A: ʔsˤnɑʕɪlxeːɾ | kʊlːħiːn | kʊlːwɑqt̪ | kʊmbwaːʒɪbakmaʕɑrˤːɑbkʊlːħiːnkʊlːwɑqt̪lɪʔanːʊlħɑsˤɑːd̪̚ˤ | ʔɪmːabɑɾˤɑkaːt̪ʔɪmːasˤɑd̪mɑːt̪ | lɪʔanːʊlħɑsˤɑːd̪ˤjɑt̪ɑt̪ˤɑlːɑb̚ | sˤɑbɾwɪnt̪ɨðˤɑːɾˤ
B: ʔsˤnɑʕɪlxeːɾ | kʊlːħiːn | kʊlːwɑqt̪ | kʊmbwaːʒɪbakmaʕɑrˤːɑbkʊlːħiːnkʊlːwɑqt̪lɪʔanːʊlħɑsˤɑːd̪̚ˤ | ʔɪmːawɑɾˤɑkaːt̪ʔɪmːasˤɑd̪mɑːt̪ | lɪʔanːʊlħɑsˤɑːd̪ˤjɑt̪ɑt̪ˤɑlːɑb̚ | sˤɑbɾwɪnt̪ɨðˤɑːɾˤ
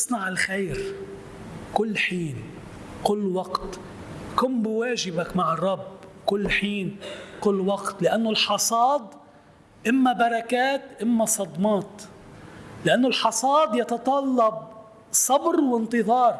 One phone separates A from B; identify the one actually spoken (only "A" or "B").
A